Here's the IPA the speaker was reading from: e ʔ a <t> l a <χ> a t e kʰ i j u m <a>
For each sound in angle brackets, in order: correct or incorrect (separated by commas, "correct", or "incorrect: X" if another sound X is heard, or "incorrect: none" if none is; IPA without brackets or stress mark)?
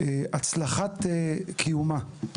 incorrect: t͡s, correct, correct